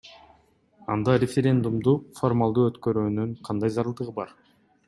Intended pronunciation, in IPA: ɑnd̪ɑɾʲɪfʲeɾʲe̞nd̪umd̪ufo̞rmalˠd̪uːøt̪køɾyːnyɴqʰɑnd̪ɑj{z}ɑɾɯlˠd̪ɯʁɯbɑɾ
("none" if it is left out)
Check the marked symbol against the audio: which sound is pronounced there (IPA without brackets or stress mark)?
z